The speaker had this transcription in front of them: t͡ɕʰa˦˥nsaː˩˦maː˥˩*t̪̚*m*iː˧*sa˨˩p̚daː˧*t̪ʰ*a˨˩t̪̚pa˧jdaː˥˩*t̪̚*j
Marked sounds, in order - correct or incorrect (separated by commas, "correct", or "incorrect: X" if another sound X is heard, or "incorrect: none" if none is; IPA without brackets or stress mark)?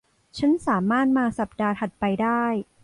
correct, incorrect: aː˧, correct, incorrect: none